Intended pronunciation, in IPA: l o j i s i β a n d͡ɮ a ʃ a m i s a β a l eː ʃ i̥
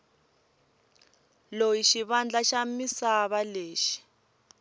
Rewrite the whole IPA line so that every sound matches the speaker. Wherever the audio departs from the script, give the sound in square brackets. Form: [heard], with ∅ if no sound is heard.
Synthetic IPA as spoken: l o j i [ʃ] i β a n d͡ɮ a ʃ a m i s a β a l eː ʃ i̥